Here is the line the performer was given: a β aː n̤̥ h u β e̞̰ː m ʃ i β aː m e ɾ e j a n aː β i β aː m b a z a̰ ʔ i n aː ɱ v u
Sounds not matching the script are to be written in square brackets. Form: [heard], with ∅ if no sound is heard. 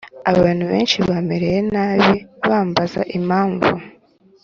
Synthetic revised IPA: a β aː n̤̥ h u β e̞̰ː [n] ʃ i β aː m e ɾ e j [e] n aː β i β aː m b a z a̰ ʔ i [m] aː ɱ v u